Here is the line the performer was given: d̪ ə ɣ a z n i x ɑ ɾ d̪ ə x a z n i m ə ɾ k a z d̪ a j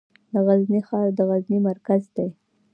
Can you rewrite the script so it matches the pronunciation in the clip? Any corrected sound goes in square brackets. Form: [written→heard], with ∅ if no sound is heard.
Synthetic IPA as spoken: d̪ ə ɣ a z n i x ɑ ɾ d̪ ə [x→ɣ] a z n i m [ə→a] ɾ k a z d̪ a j

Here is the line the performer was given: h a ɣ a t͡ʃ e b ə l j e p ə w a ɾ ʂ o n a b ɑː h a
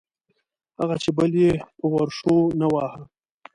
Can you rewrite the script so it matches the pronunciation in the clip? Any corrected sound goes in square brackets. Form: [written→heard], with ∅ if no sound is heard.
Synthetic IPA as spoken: h a ɣ a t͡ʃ e b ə l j e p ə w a ɾ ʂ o n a [b→w] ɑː h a

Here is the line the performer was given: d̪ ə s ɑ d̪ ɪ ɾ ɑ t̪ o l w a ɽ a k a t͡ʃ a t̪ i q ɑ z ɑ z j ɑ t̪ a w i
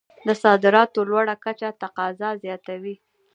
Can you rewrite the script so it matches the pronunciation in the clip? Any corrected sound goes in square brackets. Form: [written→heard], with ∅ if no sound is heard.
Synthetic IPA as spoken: d̪ ə s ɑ d̪ ɪ ɾ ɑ t̪ o l w a ɽ a k a t͡ʃ a t̪ [i→a] q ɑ z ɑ z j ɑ t̪ a w i

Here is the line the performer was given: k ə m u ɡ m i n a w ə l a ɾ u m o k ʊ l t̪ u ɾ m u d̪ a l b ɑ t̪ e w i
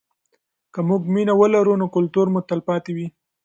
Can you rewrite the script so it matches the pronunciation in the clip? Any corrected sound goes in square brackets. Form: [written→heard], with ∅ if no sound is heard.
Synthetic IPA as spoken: k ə m u ɡ m i n a w ə l a ɾ u [m→n] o k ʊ l t̪ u ɾ m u [d̪→t̪] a l [b→p] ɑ t̪ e w i

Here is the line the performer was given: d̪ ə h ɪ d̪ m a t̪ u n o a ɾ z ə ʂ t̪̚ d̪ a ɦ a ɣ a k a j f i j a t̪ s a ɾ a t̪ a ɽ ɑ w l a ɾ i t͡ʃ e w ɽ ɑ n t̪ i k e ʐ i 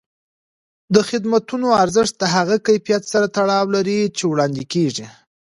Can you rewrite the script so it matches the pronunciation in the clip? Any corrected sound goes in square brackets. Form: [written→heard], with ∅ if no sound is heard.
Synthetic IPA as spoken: d̪ ə [h→x] ɪ d̪ m a t̪ u n o a ɾ z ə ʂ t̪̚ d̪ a ɦ a ɣ a k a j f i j a t̪ s a ɾ a t̪ a ɽ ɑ w l a ɾ i t͡ʃ e w ɽ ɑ n [t̪→d̪] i k e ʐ i

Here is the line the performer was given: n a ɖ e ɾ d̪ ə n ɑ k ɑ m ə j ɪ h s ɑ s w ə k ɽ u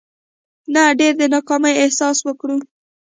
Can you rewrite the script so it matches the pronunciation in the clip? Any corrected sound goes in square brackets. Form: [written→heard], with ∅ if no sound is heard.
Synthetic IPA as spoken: n a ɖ e ɾ d̪ ə n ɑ k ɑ m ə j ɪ h s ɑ s w ə k ɽ u

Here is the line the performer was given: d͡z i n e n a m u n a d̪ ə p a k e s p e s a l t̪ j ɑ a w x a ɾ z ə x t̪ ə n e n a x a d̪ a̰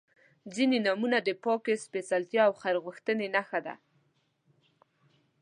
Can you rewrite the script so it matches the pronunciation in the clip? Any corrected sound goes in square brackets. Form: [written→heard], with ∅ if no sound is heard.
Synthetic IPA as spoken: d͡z i n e n a m u n a d̪ ə p [a→ɑ] k e s p e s a l t̪ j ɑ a w x a ɾ [z→ɣ] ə x t̪ ə n e n a x a d̪ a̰

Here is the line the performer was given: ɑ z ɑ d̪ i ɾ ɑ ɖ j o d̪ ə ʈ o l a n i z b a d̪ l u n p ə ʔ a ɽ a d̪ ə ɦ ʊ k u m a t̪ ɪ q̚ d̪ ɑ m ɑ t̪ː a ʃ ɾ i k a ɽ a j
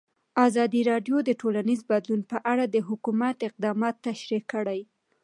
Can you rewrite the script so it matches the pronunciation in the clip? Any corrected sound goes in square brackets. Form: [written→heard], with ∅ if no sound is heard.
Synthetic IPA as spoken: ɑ z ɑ d̪ i ɾ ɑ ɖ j o d̪ ə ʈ o l a n i z b a d̪ l u n p ə ʔ a ɽ a d̪ ə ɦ ʊ k u m a t̪ ɪ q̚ d̪ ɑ m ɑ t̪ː a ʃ ɾ i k [a→ə] ɽ a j

